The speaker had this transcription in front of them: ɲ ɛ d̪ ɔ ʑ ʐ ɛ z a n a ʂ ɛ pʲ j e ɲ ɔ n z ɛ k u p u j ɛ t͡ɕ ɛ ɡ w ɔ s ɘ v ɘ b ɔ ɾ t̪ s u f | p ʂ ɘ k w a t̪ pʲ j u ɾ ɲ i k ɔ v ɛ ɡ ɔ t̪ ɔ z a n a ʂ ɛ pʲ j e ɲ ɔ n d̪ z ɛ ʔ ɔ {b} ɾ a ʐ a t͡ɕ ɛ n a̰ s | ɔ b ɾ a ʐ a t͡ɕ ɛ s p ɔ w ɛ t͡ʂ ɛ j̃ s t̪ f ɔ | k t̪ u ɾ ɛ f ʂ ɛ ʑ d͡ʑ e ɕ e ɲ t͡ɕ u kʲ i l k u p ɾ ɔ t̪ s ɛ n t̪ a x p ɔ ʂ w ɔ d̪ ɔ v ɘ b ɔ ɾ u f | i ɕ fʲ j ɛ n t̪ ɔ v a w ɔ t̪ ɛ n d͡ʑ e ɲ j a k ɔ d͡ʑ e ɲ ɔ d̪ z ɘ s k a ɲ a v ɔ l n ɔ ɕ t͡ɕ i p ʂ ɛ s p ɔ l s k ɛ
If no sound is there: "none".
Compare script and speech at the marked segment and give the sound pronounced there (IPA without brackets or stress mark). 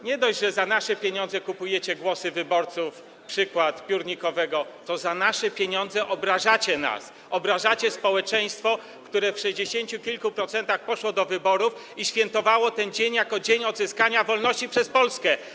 b